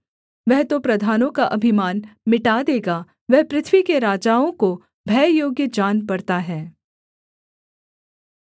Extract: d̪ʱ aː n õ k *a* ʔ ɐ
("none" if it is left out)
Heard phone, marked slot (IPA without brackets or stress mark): a